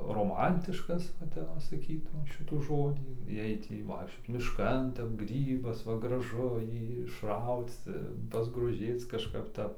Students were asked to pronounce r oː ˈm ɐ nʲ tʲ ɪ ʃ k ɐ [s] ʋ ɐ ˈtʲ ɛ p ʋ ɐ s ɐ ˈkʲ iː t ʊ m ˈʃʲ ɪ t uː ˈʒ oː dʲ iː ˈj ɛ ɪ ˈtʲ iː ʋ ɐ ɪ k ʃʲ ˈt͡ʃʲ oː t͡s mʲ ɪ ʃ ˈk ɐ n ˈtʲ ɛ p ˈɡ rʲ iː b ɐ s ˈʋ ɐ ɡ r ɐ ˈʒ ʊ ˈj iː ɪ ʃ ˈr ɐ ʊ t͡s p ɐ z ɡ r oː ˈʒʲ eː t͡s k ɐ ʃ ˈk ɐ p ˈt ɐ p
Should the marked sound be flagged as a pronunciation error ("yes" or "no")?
no